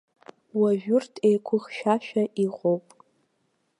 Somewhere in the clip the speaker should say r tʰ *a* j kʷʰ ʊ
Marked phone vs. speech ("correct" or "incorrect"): incorrect